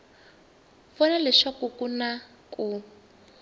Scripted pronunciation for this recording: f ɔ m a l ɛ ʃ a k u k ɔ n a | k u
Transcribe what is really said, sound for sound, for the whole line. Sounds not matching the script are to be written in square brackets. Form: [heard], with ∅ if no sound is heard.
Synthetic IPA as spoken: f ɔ [n] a l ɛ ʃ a k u k [u] n a | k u